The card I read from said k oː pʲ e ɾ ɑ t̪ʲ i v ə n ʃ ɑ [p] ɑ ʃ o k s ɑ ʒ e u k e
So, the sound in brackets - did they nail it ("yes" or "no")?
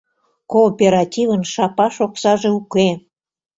yes